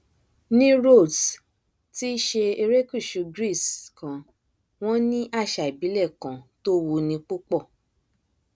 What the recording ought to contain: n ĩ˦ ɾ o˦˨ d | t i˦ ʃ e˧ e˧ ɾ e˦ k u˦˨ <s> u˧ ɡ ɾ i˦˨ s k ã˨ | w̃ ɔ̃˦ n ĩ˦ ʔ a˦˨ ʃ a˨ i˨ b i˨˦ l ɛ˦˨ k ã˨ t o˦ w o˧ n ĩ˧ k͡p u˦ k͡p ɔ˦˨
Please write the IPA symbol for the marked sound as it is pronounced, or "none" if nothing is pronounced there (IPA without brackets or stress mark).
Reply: ʃ